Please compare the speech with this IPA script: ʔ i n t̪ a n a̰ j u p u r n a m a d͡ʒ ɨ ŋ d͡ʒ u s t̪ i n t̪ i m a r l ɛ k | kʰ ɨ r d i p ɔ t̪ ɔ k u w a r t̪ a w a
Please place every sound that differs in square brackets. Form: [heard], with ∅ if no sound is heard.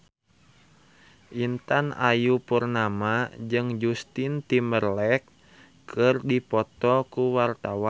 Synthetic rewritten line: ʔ i n t̪ a n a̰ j u p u r n a m a d͡ʒ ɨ ŋ d͡ʒ u s t̪ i n t̪ i m [ə] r l ɛ k | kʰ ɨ r d i p ɔ t̪ ɔ k u w a r t̪ a w a